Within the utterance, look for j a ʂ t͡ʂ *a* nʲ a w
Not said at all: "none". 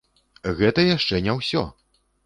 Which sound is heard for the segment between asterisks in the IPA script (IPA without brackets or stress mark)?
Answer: ɛ